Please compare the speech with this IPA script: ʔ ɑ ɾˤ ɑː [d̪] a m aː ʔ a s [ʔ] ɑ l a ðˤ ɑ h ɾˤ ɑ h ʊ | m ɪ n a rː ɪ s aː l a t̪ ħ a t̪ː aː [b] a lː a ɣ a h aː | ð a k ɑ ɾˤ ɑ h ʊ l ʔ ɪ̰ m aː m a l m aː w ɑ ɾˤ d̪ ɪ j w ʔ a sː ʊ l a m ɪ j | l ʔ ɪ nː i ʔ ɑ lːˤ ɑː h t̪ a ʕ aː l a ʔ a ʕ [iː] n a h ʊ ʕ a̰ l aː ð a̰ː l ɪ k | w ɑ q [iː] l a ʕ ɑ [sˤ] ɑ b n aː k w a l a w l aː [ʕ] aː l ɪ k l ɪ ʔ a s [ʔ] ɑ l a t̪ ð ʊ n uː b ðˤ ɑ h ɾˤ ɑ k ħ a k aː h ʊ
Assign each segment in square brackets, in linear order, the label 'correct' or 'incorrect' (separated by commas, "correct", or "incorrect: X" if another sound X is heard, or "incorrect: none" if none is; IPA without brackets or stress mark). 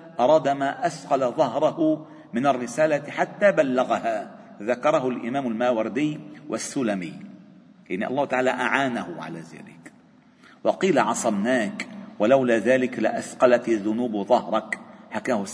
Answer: correct, incorrect: q, correct, incorrect: aː, correct, correct, incorrect: ð, incorrect: q